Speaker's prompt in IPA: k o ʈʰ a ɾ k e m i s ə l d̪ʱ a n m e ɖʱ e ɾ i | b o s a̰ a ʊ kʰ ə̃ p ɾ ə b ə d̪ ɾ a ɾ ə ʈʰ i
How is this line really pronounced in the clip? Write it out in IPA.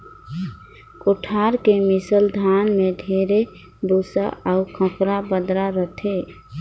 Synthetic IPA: k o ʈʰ a ɾ k e m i s ə l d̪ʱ a n m e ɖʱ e ɾ e | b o s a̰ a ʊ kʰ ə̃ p ɾ a b ə d̪ ɾ a ɾ ə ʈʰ e